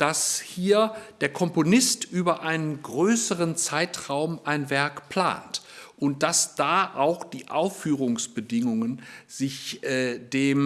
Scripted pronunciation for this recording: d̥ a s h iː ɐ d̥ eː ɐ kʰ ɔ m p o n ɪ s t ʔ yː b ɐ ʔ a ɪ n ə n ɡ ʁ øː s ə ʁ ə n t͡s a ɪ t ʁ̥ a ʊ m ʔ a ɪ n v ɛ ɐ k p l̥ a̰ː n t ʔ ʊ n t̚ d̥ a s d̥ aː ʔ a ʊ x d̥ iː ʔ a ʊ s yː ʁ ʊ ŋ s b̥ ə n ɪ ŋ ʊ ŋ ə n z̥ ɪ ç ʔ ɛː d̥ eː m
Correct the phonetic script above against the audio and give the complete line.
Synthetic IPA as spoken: d̥ a s h iː ɐ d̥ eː ɐ kʰ ɔ m p o n ɪ s t ʔ yː b ɐ ʔ a ɪ n ə n ɡ ʁ øː s ə ʁ ə n t͡s a ɪ t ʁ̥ a ʊ m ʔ a ɪ n v ɛ ɐ k p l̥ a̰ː n t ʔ ʊ n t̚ d̥ a s d̥ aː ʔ a ʊ x d̥ iː ʔ a ʊ f yː ʁ ʊ ŋ s b̥ ə d ɪ ŋ ʊ ŋ ə n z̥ ɪ ç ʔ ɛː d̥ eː m